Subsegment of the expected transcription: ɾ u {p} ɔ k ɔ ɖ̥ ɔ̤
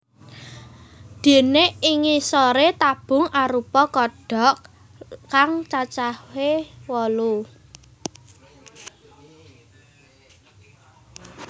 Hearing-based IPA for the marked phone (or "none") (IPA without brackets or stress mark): p